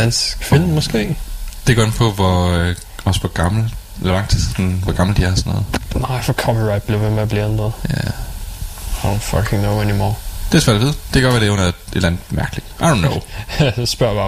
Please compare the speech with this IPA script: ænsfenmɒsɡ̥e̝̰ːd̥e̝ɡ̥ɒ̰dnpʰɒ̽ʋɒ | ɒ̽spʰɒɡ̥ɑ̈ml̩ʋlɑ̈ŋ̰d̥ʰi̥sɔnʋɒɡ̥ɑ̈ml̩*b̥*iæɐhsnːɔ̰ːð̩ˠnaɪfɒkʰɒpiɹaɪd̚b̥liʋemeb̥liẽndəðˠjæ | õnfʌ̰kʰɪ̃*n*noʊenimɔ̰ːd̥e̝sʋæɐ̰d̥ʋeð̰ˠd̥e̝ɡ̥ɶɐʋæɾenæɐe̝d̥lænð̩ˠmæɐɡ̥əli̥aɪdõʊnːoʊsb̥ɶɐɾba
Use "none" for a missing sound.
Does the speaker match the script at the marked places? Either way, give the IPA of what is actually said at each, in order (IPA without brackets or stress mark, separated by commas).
d̥, ŋ